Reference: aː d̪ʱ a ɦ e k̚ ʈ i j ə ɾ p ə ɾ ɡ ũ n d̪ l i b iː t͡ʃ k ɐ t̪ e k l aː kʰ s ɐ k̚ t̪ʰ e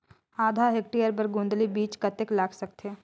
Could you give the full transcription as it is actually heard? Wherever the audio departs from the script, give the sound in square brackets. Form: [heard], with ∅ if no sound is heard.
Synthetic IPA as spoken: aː d̪ʱ a ɦ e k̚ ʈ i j ə ɾ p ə ɾ ɡ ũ n d̪ l i b iː t͡ʃ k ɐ t̪ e k l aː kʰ s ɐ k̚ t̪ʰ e